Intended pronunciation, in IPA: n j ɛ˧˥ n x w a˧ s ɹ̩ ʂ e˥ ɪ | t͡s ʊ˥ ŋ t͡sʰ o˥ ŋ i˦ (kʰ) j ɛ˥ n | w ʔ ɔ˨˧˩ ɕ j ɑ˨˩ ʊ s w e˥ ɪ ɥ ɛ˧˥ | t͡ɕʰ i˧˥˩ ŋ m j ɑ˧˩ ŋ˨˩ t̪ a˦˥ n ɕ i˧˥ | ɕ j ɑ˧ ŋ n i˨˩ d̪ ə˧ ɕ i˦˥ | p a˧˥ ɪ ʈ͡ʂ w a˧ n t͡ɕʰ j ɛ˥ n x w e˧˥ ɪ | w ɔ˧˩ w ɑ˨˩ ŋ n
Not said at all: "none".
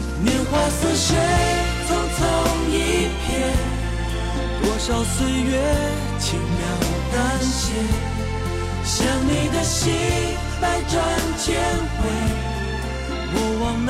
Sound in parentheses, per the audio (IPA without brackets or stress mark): pʰ